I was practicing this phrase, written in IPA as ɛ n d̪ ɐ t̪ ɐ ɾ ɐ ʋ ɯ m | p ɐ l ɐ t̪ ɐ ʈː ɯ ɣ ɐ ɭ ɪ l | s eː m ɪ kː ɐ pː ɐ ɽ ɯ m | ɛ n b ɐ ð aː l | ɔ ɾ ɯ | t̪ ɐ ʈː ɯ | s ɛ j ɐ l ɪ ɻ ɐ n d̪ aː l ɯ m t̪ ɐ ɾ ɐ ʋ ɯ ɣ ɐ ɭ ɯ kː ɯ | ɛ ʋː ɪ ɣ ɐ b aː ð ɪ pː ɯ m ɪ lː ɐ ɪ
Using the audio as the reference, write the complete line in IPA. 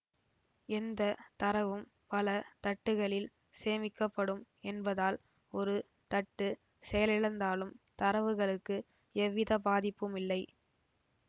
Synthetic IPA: ɛ n d̪ ɐ t̪ ɐ ɾ ɐ ʋ ɯ m | p ɐ l ɐ t̪ ɐ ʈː ɯ ɣ ɐ ɭ ɪ l | s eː m ɪ kː ɐ pː ɐ ɽ ɯ m | ɛ n b ɐ ð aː l | ɔ ɾ ɯ | t̪ ɐ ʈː ɯ | s ɛ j ɐ l ɪ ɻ ɐ n d̪ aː l ɯ m t̪ ɐ ɾ ɐ ʋ ɯ ɣ ɐ ɭ ɯ kː ɯ | ɛ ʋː ɪ ð ɐ b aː ð ɪ pː ɯ m ɪ lː ɐ ɪ